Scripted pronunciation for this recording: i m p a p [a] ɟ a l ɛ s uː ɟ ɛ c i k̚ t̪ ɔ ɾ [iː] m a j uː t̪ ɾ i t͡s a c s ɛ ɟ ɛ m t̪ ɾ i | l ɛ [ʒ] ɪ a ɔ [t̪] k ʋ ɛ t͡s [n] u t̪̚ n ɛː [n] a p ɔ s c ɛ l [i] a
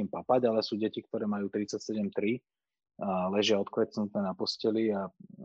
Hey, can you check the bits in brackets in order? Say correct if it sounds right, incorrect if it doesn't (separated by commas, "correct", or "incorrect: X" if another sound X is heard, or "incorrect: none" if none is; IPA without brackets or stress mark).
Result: correct, incorrect: ɛː, correct, correct, correct, correct, correct